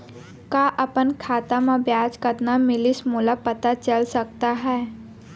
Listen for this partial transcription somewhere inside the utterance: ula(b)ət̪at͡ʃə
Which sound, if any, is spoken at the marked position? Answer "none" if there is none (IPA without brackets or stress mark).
p